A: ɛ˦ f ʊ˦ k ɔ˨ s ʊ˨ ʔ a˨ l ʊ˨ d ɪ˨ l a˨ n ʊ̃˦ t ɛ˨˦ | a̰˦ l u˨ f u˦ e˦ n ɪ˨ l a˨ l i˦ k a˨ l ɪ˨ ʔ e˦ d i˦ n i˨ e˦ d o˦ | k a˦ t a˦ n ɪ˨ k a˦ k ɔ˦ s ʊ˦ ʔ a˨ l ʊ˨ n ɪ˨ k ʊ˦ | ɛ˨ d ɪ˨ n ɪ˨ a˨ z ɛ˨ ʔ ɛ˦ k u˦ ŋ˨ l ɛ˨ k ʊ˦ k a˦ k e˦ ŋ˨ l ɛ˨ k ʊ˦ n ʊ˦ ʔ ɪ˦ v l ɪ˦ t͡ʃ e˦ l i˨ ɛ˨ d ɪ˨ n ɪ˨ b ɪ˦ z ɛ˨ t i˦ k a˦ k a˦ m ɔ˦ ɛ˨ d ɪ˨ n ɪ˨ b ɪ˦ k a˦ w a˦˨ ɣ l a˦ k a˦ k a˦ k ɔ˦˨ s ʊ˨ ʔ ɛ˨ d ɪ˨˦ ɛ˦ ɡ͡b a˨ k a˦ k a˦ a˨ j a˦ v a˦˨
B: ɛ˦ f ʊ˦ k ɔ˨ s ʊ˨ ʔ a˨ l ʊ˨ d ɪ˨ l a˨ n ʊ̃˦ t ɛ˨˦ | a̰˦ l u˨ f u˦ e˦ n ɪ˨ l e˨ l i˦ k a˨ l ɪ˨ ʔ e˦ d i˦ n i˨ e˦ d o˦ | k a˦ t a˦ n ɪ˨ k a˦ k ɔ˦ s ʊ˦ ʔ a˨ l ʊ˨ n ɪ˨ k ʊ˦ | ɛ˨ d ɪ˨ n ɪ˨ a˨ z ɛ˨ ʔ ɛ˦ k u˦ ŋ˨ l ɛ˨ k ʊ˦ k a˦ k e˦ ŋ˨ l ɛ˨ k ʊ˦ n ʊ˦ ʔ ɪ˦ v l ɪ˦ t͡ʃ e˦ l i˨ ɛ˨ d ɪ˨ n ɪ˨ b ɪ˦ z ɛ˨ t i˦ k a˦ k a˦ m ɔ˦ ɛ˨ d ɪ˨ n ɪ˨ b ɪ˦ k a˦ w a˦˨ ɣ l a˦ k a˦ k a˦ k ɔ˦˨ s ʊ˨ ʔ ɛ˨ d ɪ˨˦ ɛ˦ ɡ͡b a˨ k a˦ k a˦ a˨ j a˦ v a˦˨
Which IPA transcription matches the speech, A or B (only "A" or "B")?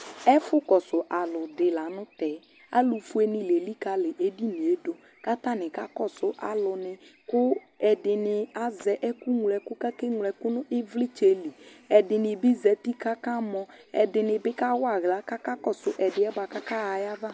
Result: B